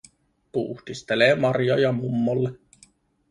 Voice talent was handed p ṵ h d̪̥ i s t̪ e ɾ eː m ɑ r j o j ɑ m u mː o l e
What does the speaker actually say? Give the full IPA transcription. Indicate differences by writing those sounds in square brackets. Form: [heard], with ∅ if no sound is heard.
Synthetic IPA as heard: p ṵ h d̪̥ i s t̪ e [l] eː m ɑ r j o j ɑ m u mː o [lː] e